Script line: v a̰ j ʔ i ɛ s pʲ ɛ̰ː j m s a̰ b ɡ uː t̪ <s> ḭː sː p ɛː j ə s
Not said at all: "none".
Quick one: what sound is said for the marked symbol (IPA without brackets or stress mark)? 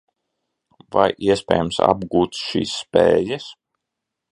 ʃ